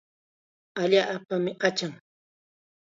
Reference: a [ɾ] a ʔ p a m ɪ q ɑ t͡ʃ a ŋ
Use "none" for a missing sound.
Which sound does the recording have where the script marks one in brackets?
ʎ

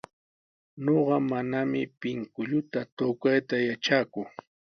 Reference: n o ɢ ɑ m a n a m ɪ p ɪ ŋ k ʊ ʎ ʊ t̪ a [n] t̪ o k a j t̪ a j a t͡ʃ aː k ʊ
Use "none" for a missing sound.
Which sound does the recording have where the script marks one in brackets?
none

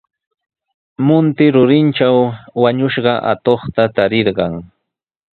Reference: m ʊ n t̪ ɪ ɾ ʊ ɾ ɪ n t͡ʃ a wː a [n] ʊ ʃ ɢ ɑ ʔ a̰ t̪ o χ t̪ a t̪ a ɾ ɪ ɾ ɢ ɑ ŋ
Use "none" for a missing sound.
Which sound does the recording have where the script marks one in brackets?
ɲ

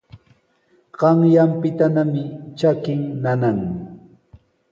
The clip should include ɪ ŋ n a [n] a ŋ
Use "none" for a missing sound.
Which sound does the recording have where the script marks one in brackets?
n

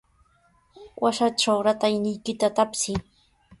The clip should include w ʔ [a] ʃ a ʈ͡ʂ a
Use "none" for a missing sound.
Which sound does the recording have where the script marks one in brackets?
a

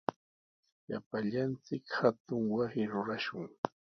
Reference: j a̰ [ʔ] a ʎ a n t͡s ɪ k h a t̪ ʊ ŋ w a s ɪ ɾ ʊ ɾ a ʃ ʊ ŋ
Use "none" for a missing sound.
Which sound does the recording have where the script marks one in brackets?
p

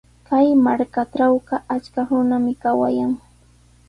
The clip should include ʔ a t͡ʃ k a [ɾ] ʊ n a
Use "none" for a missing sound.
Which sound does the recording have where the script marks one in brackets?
ɾ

